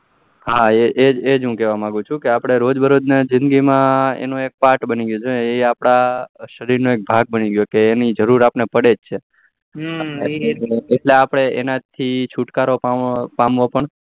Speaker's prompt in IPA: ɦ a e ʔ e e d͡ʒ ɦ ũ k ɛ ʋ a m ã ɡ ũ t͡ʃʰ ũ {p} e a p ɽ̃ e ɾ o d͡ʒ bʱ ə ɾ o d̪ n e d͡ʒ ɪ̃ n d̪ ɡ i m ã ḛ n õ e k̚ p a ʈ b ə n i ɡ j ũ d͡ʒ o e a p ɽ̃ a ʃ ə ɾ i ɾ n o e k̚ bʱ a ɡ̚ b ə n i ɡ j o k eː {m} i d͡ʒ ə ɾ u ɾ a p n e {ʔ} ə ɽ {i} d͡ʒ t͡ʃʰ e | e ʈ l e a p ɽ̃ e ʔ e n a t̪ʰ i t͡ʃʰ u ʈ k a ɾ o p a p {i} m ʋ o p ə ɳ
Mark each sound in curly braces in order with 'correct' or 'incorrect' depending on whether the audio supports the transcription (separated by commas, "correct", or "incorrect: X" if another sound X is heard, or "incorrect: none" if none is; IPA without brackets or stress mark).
incorrect: k, incorrect: n, incorrect: p, incorrect: e, incorrect: a